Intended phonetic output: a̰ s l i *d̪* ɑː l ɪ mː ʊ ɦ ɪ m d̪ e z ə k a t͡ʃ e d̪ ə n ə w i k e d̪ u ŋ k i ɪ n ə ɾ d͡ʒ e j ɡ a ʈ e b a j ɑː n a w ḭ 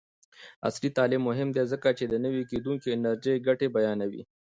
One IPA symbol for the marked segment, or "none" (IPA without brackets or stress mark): t̪